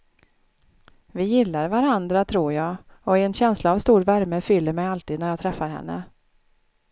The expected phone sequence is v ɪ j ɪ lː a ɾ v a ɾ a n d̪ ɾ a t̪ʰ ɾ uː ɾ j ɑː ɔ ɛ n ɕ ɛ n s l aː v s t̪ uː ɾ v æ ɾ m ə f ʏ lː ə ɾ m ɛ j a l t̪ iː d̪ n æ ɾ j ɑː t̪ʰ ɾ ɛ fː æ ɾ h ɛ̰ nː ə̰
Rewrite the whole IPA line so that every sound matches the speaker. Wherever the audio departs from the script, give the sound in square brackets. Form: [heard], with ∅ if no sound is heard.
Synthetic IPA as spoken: v ɪ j ɪ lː a ɾ v a ɾ a n d̪ ɾ a t̪ʰ ɾ uː ɾ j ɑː ɔ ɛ n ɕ ɛ n s l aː v s t̪ uː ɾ v æ ɾ m ə f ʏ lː ə ɾ m ɛ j a l t̪ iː d̪ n æ ɾ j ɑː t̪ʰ ɾ ɛ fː [a] ɾ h ɛ̰ nː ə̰